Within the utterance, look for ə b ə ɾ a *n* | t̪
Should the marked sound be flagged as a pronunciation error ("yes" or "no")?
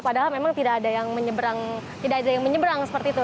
yes